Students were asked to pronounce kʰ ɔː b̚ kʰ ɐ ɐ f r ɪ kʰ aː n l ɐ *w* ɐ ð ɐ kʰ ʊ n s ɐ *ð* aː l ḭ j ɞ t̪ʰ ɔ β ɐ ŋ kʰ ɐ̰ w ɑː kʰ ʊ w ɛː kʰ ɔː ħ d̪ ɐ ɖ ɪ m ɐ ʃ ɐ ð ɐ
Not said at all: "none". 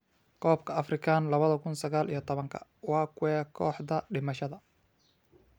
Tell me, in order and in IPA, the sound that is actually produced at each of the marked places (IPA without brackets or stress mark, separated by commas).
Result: β, ɣ